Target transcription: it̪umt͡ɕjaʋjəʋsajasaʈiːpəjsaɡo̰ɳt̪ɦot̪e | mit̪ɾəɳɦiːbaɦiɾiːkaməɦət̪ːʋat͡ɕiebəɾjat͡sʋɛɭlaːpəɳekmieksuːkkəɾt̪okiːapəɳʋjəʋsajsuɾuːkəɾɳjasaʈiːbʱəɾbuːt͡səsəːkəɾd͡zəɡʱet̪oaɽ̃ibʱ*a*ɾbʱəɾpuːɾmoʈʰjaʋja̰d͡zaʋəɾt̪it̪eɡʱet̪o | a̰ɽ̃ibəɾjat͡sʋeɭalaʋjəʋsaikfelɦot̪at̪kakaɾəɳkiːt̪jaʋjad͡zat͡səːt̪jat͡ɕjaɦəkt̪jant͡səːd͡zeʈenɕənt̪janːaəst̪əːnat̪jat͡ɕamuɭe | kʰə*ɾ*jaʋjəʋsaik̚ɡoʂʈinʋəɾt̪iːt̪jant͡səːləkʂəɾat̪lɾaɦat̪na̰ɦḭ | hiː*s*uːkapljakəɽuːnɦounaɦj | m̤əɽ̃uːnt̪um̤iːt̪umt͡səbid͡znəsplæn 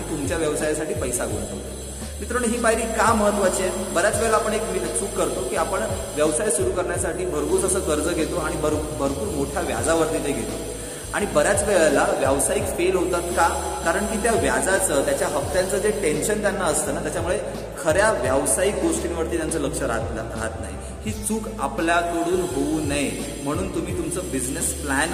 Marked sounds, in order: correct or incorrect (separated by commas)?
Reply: incorrect, correct, incorrect